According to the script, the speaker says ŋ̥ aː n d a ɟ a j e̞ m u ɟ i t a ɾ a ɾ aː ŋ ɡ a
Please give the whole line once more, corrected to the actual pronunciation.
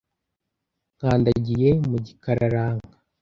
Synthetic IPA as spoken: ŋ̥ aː n d a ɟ i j e̞ m u ɟ i k a ɾ a ɾ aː ŋ ɡ a